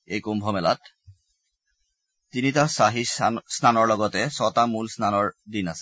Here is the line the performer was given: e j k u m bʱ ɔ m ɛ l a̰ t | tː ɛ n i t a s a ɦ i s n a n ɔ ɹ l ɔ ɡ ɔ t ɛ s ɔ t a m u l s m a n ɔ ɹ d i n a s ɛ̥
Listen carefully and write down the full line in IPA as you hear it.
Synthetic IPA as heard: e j k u m bʱ ɔ m ɛ l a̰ t | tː i n i t a s a ɦ i s n a n ɔ ɹ l ɔ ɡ ɔ t ɛ s ɔ t a m u l s n a n ɔ ɹ d i n a s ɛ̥